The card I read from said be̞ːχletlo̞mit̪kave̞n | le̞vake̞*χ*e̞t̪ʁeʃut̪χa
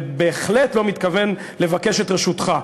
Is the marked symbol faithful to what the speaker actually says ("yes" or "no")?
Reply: no